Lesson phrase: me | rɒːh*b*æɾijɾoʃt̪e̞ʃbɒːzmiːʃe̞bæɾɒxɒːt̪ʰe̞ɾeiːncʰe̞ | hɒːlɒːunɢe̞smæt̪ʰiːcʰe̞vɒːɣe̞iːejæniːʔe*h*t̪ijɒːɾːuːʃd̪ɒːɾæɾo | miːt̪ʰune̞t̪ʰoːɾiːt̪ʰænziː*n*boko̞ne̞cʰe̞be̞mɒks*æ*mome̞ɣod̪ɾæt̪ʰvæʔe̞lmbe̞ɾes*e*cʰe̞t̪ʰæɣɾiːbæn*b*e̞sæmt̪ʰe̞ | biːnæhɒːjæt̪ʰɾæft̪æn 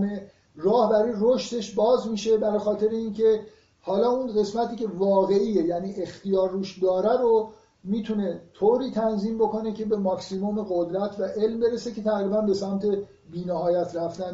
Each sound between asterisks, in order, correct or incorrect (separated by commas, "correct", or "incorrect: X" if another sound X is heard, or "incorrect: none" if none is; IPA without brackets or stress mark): correct, incorrect: x, incorrect: m, incorrect: i, correct, correct